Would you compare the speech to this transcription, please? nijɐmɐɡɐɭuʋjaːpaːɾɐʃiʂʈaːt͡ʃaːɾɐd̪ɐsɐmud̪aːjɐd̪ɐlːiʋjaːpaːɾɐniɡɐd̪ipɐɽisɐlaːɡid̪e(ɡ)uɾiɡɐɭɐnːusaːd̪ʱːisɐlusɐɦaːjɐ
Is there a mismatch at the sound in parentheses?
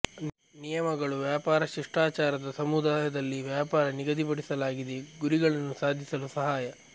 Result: no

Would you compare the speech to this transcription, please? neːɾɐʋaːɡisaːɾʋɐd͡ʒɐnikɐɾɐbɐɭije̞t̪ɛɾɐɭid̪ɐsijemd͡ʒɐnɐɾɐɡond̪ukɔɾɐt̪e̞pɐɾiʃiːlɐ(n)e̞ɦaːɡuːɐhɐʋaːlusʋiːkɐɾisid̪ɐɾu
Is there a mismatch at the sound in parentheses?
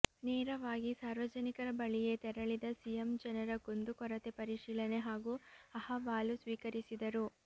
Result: no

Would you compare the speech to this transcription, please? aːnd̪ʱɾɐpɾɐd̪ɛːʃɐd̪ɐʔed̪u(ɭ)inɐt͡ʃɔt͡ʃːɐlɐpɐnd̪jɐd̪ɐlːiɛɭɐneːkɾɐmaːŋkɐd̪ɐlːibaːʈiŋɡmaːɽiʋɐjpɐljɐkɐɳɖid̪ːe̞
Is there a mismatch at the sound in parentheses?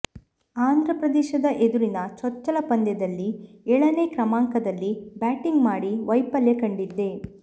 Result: yes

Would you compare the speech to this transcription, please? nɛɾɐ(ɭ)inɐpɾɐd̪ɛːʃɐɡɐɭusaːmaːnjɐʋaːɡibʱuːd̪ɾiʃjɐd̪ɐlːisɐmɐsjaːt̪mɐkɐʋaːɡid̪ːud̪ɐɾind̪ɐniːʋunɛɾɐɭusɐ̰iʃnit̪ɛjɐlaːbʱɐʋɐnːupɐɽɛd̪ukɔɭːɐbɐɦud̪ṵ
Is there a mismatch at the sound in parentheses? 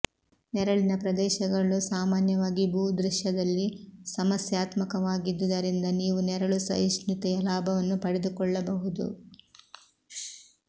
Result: no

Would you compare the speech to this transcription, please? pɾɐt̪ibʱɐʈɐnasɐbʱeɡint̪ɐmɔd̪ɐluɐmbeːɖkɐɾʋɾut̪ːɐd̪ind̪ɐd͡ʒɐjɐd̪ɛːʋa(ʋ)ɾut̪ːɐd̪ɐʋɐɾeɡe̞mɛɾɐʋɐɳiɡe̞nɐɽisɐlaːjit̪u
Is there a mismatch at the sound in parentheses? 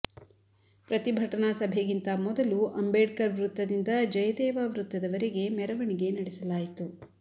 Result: no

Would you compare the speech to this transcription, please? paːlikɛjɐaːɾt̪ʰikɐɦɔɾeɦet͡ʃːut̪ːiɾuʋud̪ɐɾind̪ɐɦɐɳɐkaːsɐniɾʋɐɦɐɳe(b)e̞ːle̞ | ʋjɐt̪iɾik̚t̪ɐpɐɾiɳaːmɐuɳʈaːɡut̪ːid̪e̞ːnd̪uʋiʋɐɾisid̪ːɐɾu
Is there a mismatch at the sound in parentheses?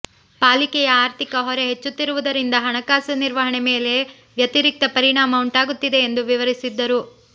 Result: yes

